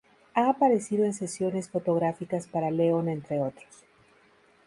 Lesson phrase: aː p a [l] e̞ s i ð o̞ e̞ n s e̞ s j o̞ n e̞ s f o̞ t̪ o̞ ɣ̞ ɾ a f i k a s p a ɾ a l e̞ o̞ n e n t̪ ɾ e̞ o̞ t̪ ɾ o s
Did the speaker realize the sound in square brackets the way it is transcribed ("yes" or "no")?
no